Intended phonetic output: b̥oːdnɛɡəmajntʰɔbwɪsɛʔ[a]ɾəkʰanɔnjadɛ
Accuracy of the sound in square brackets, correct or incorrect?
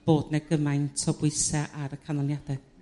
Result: correct